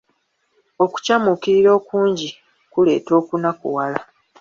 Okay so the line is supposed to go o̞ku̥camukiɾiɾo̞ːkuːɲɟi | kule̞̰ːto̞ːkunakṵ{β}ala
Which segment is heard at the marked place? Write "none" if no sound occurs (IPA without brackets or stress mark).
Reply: w